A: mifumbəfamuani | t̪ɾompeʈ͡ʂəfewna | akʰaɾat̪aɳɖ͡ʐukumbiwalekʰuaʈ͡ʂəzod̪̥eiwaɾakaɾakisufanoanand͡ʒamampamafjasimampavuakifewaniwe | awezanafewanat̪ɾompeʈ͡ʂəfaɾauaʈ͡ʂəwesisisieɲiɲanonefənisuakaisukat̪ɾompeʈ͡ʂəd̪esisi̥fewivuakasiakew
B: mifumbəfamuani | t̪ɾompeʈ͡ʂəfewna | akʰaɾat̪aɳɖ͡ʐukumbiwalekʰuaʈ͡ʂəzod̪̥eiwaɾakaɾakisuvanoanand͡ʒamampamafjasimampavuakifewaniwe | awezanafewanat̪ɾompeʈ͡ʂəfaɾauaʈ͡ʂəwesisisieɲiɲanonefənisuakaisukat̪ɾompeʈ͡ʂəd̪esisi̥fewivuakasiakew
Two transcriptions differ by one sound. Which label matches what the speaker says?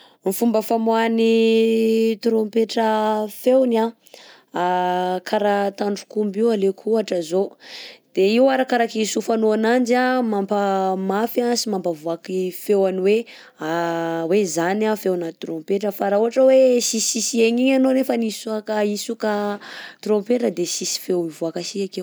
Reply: A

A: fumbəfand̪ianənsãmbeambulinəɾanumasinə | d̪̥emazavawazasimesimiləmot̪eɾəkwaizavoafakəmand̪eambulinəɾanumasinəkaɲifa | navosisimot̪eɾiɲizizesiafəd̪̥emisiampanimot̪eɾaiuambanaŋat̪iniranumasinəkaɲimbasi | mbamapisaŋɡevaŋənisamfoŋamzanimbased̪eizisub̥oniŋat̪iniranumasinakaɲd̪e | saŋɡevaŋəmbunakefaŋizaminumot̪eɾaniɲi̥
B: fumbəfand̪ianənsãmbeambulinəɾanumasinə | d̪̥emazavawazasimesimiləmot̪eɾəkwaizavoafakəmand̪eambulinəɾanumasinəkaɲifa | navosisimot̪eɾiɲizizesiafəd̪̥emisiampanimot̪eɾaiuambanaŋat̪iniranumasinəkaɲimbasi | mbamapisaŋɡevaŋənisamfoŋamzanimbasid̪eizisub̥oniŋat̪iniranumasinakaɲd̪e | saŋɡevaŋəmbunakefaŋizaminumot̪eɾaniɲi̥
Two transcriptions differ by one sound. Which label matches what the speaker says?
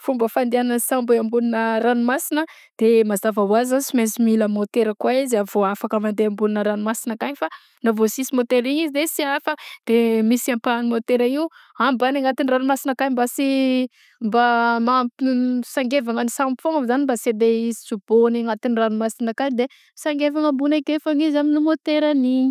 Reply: A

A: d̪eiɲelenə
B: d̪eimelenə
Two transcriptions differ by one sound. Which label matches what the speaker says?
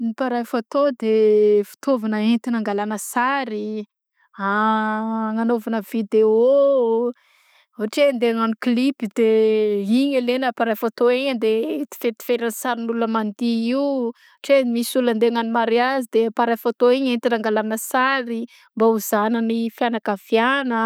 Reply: A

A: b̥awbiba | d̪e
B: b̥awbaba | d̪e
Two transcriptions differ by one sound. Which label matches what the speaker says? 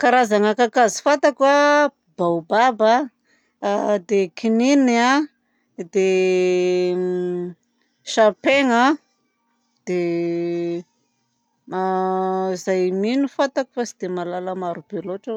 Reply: B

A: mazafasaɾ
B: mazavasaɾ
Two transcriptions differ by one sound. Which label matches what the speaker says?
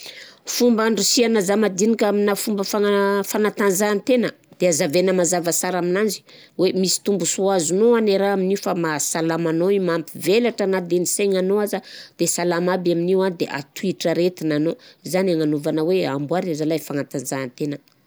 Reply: B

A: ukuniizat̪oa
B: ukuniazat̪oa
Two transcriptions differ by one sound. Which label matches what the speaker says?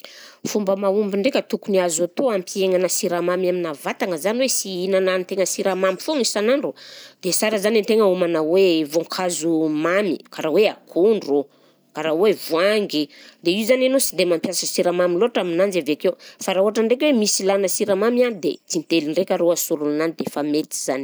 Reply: B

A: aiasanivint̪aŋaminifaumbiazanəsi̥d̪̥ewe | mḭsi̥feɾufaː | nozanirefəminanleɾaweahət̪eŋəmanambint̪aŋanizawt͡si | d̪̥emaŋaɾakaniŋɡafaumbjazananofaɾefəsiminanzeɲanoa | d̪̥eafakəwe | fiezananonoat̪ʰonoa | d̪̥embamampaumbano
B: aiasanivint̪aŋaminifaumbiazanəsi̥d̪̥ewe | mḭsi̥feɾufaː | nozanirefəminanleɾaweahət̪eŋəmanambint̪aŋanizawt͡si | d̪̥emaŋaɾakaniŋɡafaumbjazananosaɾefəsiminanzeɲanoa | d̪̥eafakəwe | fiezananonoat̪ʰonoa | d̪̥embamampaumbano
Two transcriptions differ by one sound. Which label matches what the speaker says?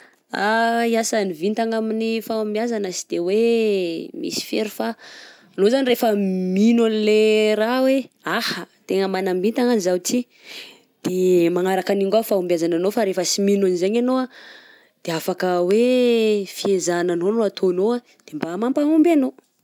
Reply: A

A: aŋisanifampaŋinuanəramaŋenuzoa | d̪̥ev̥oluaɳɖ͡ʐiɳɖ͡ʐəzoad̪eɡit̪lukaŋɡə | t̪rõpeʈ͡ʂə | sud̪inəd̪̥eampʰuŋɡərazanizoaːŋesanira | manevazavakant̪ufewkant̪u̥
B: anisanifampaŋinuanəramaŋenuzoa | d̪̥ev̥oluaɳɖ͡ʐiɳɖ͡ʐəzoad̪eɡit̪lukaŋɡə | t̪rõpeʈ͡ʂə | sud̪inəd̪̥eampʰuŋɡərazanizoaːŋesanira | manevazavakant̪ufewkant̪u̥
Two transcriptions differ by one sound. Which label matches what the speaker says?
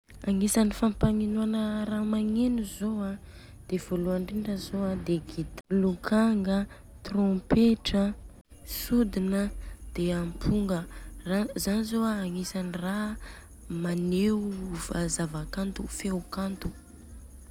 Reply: A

